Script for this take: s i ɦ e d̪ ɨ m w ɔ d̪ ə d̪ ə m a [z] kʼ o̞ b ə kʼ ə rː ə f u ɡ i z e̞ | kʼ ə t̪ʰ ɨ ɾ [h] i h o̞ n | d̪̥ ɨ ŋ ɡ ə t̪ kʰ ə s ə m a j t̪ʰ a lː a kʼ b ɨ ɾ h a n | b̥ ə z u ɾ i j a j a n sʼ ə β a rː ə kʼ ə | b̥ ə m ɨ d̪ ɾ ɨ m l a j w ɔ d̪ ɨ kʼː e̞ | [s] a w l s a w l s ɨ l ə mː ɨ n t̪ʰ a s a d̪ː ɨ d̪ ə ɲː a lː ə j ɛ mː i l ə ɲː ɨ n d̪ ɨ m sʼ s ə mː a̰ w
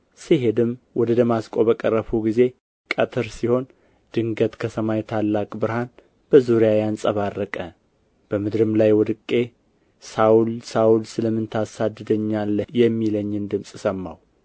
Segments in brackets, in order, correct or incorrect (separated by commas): incorrect, incorrect, correct